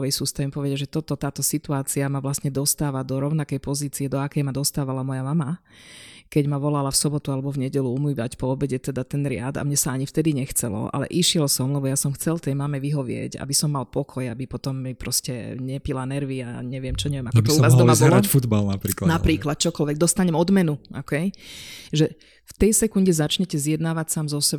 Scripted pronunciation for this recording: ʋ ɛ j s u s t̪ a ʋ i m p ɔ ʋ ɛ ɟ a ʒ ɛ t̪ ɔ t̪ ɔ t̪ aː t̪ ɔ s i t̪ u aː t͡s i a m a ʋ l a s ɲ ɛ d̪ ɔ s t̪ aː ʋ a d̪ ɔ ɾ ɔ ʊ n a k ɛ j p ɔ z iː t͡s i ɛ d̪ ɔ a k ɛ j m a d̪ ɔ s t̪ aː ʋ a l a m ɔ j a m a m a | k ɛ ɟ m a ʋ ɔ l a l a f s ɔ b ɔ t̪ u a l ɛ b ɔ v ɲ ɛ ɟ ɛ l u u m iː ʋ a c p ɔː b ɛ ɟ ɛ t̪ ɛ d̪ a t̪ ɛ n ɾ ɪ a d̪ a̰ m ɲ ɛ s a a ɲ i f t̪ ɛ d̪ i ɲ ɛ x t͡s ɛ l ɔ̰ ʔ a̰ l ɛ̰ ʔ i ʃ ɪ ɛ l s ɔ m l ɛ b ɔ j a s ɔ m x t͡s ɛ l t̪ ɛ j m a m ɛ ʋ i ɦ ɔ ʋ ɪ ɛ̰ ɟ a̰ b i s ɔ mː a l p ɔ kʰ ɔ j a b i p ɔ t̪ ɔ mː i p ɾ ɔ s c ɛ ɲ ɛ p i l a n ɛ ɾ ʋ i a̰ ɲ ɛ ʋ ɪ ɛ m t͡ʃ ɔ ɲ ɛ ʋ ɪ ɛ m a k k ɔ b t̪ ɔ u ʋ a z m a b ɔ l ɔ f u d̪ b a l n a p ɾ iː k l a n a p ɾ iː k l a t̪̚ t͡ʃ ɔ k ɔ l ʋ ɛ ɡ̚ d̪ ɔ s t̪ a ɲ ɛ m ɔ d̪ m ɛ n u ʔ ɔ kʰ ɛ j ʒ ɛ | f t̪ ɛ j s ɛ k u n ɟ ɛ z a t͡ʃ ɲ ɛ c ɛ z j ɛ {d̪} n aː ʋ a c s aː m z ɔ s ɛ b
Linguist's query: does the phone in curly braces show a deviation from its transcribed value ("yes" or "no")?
no